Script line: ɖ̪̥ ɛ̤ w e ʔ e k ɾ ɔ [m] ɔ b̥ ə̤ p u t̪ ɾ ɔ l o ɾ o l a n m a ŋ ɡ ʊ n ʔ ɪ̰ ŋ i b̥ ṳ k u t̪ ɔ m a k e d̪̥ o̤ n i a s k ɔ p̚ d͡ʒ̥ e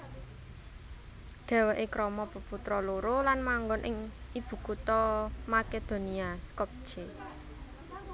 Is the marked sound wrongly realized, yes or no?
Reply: no